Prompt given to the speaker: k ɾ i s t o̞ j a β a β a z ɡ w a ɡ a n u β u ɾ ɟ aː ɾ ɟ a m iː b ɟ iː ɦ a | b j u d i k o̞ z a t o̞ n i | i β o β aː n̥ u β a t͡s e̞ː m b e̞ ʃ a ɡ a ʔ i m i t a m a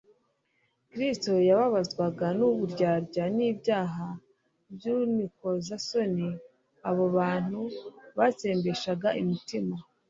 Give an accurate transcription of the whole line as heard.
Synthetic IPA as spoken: k ɾ i s t o̞ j a β a β a z ɡ w a ɡ a n u β u ɾ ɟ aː ɾ ɟ a n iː b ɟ aː ɦ a | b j u n i k o̞ z a s o̞ n i | a β o β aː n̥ u β a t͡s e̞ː m b e̞ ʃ a ɡ a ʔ i m i t i m a